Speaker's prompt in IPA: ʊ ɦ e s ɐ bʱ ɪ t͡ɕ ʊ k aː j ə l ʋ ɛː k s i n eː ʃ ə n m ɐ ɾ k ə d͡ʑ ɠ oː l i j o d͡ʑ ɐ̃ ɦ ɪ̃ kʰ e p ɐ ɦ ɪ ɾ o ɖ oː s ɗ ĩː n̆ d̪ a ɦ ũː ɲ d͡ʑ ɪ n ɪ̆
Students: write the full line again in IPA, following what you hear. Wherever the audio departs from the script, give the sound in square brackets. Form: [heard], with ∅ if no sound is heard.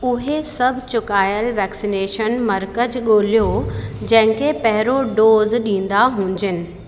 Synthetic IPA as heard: ʊ ɦ e s ɐ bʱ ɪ t͡ɕ ʊ k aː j ə l ʋ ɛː k s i n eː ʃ ə n m ɐ ɾ k ə d͡ʑ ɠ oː l i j o d͡ʑ ɐ̃ ɦ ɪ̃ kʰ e p ɐ ɦ ɪ ɾ o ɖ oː [z] ɗ ĩː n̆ d̪ a ɦ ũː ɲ d͡ʑ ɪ n ɪ̆